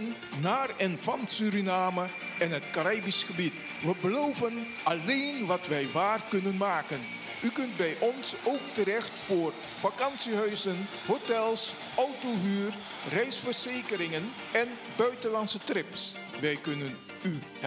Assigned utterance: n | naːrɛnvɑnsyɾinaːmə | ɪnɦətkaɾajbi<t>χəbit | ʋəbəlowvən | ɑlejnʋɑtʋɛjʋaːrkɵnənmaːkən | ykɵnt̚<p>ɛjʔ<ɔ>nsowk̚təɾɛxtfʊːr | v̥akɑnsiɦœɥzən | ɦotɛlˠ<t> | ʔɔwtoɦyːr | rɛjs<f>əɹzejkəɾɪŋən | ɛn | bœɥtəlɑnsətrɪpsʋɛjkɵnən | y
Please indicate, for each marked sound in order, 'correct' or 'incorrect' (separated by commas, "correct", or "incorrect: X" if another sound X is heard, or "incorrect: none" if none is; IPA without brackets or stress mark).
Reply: incorrect: s, incorrect: b, correct, incorrect: s, correct